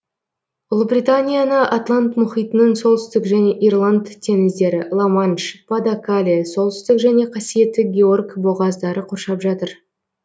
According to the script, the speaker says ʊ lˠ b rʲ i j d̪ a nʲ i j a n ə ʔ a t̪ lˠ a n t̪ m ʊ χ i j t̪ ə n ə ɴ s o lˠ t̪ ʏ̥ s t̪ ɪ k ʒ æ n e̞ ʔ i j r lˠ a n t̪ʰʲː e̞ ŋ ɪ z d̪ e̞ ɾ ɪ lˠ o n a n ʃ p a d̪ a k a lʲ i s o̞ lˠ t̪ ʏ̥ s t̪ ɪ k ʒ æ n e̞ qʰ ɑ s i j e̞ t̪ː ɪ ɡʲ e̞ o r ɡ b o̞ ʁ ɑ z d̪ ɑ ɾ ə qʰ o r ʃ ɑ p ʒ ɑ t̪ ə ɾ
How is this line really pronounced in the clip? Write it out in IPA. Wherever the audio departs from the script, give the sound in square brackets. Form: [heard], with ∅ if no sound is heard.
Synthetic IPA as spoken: ʊ lˠ b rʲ i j [t̪] a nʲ i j a n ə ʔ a t̪ lˠ a n t̪ m ʊ χ i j t̪ ə n ə ɴ s o lˠ t̪ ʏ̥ s t̪ ɪ k ʒ æ n e̞ ʔ i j r lˠ a n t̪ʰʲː e̞ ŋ ɪ z d̪ e̞ ɾ ɪ lˠ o [m] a n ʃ p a d̪ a k a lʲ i s o̞ lˠ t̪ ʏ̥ s t̪ ɪ k ʒ æ n e̞ qʰ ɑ s i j e̞ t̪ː ɪ ɡʲ e̞ o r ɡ b o̞ ʁ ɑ z d̪ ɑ ɾ ə qʰ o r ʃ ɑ p ʒ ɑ t̪ ə ɾ